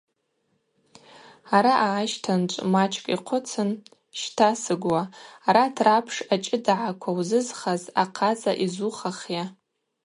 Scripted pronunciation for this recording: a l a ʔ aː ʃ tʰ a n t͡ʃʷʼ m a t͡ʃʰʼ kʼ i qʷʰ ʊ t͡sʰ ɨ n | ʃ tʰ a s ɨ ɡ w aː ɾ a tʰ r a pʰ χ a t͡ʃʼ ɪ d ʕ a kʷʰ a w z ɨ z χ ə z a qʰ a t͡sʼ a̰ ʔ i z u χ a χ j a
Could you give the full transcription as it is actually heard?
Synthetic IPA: a ɾ a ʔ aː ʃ tʰ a n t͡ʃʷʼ m a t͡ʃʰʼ kʼ i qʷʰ ʊ t͡sʰ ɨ n | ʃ tʰ a s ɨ ɡ w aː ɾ a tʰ r a pʰ ʂ a t͡ʃʼ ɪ d ʕ a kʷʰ a w z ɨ z χ a z a qʰ a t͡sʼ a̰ ʔ i z u χ a χ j a

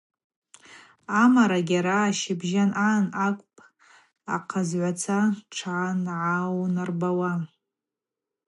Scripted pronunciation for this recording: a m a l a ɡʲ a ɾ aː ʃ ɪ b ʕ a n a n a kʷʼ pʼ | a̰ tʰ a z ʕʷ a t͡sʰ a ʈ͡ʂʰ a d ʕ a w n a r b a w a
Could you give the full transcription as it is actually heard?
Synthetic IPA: a m a ɾ a ɡʲ a ɾ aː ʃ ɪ b ʒ a n a n a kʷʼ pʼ | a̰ qʰ a z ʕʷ a t͡sʰ a ʈ͡ʂʰ a n ʕ a w n a r b a w a

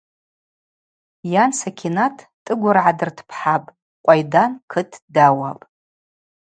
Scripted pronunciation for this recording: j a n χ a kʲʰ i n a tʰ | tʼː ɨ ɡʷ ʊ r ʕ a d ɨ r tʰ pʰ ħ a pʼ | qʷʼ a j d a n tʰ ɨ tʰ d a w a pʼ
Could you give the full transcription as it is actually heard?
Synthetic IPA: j a n s a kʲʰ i n a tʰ | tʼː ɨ ɡʷ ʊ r ʕ a d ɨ r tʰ pʰ ħ a pʼ | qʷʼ a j d a n kʰ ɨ tʰ d a w a pʼ

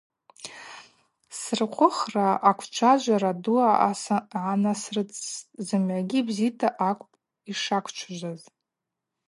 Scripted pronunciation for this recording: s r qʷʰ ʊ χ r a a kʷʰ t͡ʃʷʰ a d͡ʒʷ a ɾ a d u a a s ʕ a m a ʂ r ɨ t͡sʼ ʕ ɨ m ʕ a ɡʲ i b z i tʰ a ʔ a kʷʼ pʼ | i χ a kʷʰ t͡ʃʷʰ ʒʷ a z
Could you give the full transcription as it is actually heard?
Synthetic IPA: s r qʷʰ ʊ χ r a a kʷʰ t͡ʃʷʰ a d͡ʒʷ a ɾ a d u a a s ʕ a n a s r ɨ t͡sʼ z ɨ m ʕ a ɡʲ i b z i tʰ a ʔ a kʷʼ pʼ | i ʂ a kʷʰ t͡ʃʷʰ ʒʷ a z

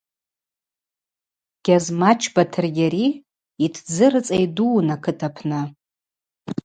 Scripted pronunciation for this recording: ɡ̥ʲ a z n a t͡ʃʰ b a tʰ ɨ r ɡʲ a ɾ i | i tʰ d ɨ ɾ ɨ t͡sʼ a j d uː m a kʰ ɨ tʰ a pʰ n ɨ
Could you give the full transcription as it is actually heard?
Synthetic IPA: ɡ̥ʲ a z m a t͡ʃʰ b a tʰ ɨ r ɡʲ a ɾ i | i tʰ d͡z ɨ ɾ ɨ t͡sʼ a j d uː n a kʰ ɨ tʰ a pʰ n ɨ

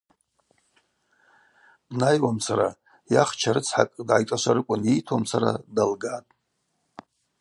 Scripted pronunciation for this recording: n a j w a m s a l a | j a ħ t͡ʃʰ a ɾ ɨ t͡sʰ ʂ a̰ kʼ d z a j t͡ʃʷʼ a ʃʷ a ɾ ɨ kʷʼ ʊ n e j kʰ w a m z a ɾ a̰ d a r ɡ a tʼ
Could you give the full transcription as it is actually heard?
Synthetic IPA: n a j w a m s a ɾ a | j a χ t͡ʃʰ a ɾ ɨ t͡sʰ ħ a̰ kʼ d ʕ a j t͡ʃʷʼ a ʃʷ a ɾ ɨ kʷʼ ʊ n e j tʰ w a m s a ɾ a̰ d a l ɡ a tʼ

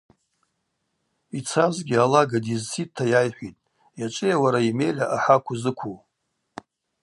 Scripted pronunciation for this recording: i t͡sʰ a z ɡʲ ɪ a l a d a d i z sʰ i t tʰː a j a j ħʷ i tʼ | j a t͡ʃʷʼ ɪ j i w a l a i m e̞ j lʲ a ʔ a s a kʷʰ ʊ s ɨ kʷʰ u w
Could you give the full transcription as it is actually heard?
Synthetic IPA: i t͡sʰ a z ɡʲ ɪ a l a ɡ a d i z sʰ i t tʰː a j a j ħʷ i tʼ | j a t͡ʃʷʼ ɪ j a w a ɾ a i m e̞ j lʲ a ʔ a ħ a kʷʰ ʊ z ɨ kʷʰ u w

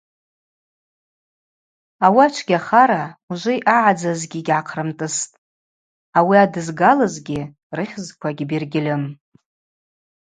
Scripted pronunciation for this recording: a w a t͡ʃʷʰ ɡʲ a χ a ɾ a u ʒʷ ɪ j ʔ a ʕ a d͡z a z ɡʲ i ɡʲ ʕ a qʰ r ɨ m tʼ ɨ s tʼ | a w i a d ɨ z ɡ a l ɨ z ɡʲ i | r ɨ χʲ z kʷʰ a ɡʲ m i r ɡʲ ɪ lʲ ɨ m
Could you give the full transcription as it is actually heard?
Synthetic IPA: a w a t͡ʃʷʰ ɡʲ a χ a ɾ a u ʒʷ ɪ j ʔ a ʕ a d͡z a z ɡʲ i ɡʲ ʕ a qʰ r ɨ m tʼ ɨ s tʼ | a w i a d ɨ z ɡ a l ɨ z ɡʲ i | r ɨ χʲ z kʷʰ a ɡʲ b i r ɡʲ ɪ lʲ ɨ m

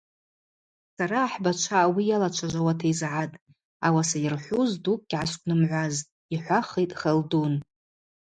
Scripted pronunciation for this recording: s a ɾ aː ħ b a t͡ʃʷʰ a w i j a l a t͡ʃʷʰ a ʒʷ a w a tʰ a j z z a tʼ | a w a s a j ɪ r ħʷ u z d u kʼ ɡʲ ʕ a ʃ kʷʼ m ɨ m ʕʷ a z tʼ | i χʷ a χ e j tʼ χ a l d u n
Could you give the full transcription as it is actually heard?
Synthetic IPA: s a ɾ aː ħ b a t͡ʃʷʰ a w i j a l a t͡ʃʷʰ a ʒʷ a w a tʰ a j z ʕ a tʼ | a w a s a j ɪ r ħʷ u z d u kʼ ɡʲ ʕ a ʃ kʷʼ n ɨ m ʕʷ a z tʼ | i ħʷ a χ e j tʼ χ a l d u n

